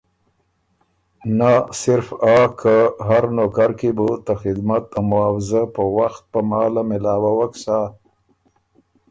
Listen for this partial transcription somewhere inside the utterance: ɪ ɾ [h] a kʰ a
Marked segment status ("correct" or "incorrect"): incorrect